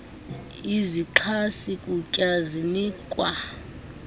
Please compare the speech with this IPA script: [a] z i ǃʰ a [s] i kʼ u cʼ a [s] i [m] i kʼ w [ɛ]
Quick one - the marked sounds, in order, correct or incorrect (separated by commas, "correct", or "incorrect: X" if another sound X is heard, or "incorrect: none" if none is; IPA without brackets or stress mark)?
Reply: incorrect: i, correct, incorrect: z, incorrect: n, incorrect: a